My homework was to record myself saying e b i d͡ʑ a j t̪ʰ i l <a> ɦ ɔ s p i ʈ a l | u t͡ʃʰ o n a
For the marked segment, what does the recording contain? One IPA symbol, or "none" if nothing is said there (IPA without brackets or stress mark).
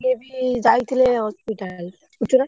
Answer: e